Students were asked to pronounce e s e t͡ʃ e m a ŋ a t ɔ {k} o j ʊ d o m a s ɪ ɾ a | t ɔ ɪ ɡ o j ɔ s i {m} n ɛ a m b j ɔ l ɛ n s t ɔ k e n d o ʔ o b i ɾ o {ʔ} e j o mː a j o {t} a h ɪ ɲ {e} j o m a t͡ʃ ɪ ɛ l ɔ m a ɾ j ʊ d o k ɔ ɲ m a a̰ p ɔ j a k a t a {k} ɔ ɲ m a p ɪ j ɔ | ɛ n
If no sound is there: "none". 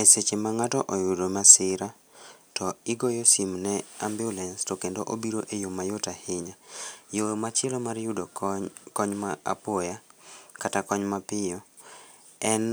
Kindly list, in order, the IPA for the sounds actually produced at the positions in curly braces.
ʔ, m, ʔ, t, a, k

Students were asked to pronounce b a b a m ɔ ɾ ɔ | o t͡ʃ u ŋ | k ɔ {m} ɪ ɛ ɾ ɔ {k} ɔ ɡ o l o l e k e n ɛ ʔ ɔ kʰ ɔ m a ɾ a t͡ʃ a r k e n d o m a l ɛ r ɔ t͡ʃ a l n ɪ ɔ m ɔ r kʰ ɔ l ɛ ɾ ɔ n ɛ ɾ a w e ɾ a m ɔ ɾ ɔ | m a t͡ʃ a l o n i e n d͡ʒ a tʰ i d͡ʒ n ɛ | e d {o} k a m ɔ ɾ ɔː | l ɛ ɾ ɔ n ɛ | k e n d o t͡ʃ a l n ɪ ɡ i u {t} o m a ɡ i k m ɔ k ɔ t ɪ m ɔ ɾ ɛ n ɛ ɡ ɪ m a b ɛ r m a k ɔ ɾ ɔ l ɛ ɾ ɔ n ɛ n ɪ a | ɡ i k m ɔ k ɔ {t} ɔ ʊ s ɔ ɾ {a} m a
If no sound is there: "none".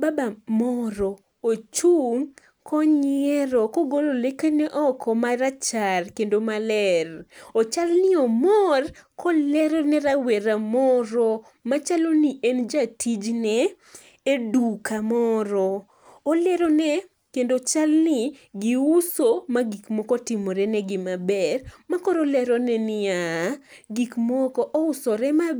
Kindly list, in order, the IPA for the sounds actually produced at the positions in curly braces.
ɲ, k, u, s, ʔ, ɛ

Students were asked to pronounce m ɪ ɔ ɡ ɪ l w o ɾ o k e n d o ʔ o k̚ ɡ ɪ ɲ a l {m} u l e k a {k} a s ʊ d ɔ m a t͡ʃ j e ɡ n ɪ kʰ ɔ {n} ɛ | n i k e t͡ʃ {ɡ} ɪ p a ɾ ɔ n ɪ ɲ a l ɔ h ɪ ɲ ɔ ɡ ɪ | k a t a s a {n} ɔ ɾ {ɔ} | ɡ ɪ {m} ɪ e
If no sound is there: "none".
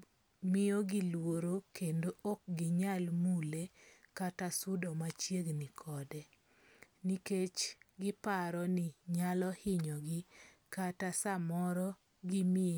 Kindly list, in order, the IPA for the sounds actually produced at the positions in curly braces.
m, t, d, ɡ, m, ɔ, m

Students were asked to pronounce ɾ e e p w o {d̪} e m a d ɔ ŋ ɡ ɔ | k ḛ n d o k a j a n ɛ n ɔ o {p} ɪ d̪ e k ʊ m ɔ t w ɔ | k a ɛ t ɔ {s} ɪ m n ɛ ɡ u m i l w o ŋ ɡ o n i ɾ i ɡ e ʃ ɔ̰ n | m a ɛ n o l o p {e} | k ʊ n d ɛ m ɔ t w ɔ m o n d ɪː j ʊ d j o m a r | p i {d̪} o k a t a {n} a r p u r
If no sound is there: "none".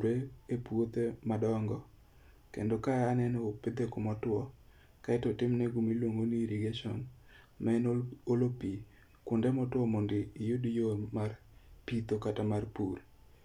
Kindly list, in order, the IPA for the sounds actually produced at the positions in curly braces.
t̪, p, t, i, t̪, m

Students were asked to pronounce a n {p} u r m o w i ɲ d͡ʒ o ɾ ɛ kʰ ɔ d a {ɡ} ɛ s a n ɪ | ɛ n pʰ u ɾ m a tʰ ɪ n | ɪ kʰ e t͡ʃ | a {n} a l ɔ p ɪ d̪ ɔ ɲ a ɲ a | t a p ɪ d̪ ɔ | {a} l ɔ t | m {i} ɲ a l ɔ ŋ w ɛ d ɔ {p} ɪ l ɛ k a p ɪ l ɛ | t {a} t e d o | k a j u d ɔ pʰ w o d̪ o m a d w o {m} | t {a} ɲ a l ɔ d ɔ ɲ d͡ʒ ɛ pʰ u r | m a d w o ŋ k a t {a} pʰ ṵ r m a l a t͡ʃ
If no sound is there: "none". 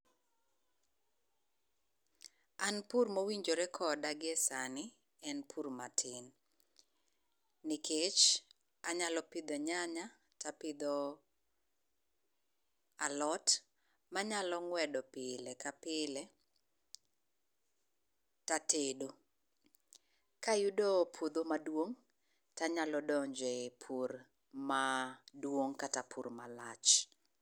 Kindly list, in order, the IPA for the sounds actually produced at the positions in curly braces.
p, ɡ, ɲ, a, a, p, a, ŋ, a, a

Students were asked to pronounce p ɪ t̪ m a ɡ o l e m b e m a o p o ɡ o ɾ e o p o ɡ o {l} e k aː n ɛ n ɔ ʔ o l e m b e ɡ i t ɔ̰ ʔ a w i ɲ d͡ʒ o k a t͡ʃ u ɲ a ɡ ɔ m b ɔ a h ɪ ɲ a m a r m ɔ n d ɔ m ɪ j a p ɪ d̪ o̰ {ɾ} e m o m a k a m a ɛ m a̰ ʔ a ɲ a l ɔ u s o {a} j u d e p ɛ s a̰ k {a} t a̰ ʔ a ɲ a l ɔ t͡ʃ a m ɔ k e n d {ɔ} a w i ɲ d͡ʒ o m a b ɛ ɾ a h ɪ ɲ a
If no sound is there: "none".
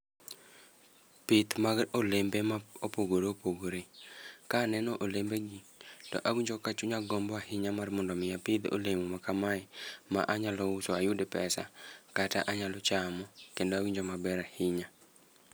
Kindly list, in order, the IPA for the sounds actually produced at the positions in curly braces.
ɾ, l, a, a, o

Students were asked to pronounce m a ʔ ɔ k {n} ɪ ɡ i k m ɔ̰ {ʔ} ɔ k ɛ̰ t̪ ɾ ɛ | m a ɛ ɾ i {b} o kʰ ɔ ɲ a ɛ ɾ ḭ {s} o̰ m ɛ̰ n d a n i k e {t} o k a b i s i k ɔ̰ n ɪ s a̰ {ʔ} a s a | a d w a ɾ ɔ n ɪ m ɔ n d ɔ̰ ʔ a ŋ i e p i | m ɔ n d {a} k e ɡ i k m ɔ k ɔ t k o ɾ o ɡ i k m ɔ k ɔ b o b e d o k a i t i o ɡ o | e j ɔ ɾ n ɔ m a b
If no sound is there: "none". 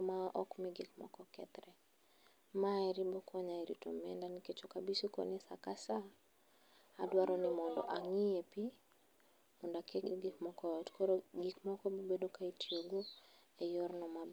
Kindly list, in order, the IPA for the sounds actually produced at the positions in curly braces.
m, k, b, t, t͡ʃ, k, a

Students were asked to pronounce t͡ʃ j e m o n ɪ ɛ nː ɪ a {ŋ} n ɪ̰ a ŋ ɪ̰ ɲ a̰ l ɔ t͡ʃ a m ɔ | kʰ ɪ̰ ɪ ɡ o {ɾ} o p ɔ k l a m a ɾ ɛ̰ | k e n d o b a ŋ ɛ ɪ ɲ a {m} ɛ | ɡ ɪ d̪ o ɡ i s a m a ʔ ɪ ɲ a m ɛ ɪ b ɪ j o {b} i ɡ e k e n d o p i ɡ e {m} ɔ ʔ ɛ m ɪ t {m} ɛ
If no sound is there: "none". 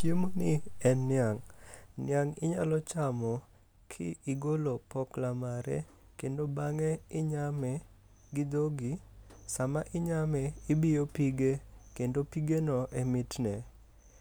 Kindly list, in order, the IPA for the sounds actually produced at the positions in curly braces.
ŋ, l, m, p, n, n

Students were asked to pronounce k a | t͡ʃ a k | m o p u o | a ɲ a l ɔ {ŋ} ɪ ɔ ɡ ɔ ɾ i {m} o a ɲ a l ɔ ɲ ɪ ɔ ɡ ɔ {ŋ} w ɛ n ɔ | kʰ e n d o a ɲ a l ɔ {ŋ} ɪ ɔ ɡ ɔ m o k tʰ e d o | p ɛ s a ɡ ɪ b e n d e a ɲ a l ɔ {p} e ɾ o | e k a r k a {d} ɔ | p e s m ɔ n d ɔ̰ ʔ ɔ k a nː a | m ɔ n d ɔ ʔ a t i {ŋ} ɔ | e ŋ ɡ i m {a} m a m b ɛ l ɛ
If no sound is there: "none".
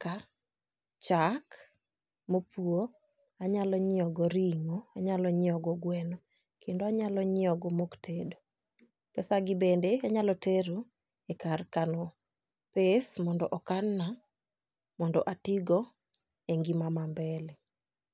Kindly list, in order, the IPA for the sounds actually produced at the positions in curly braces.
ɲ, ŋ, ɡ, ɲ, t, n, ɡ, a

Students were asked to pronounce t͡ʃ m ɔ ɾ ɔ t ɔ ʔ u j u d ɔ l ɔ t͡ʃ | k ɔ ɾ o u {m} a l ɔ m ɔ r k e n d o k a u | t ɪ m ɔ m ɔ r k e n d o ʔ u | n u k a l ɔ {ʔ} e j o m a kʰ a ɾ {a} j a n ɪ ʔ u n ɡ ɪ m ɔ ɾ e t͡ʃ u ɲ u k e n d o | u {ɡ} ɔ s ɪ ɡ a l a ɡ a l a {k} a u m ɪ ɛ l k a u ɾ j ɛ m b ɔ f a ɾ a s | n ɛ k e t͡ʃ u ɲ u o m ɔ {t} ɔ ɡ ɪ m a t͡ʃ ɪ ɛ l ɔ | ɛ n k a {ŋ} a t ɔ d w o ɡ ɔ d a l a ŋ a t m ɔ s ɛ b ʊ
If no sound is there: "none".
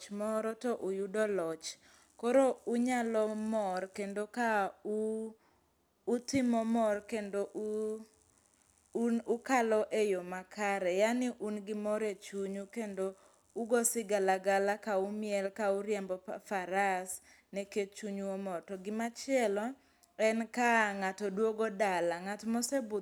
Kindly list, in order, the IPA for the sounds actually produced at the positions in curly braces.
ɲ, ʔ, ɛ, ɡ, k, t, ŋ

